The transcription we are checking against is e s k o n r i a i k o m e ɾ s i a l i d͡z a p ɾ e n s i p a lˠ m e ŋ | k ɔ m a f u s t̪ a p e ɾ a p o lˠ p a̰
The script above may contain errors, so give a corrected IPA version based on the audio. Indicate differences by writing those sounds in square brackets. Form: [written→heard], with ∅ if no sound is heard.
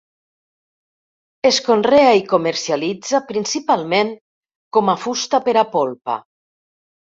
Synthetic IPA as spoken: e s k o n r [i→e] a i k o m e ɾ s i a l i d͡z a p ɾ [e→i] n s i p a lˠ m e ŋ | k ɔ m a f u s t̪ a p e ɾ a p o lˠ p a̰

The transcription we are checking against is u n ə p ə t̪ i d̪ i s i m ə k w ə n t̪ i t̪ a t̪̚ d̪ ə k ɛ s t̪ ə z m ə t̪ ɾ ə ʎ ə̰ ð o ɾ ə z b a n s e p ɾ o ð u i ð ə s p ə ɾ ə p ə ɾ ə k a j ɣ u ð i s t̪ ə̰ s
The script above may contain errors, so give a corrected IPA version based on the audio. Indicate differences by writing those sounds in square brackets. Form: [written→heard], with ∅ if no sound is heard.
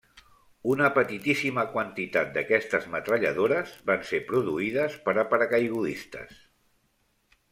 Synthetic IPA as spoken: u n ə p ə t̪ i [d̪→t̪] i s i m ə k w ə n t̪ i t̪ a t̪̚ d̪ ə k ɛ s t̪ ə z m ə t̪ ɾ ə ʎ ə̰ ð o ɾ ə z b a n s e p ɾ [o→u] ð u i ð ə s p ə ɾ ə p ə ɾ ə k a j ɣ u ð i s t̪ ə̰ s

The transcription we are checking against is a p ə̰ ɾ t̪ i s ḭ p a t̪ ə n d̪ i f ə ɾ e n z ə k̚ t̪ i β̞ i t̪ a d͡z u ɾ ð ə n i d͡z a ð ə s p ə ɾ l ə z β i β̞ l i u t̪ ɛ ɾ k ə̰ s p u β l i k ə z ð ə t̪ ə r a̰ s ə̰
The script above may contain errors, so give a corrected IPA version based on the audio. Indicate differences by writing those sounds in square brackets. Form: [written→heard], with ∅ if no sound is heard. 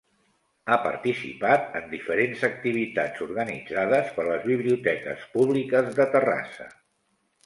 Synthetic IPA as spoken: a p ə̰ ɾ t̪ i s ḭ p a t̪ ə n d̪ i f ə ɾ e n z ə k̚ t̪ i β̞ i t̪ a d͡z u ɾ [ð→ɣ] ə n i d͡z a ð ə s p ə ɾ l ə z β i β̞ l i u t̪ ɛ [ɾ→∅] k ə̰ s p u β l i k ə z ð ə t̪ ə r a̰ s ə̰

